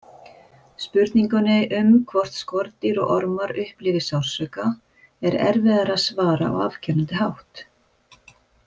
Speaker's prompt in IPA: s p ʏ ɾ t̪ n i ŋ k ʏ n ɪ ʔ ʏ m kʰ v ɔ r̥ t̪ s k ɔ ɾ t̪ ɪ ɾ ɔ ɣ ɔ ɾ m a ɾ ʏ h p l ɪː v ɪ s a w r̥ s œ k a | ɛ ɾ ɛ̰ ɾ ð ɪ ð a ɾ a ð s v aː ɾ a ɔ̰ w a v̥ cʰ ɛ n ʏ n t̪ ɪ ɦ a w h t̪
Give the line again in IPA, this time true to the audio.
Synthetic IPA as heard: s p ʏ ɾ t̪ n i ŋ k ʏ n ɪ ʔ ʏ m kʰ v ɔ r̥ t̪ s k ɔ ɾ t̪ ɪ ɾ ɔ ɣ ɔ ɾ m a ɾ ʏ h p l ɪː v ɪ s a w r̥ s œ k a | ɛ ɾ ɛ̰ ɾ v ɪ ð a ɾ a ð s v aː ɾ a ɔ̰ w a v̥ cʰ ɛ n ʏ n t̪ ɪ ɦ a w h t̪